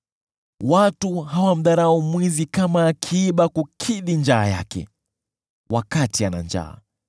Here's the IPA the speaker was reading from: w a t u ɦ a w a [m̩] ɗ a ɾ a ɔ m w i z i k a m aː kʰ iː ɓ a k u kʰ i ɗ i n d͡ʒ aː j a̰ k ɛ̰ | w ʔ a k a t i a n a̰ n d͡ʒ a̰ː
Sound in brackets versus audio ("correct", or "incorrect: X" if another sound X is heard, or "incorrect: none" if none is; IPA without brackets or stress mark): correct